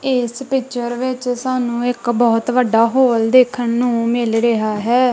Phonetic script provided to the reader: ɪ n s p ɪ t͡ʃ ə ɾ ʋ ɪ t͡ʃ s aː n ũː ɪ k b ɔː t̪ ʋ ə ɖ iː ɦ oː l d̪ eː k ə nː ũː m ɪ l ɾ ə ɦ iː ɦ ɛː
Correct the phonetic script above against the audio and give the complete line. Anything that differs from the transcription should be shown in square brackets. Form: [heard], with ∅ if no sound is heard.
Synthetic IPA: ɪ [∅] s p ɪ t͡ʃ ə ɾ ʋ ɪ t͡ʃ s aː n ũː ɪ k b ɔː t̪ ʋ ə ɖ [aː] ɦ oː l d̪ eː [kʰ] ə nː ũː m ɪ l ɾ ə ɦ [aː] ɦ ɛː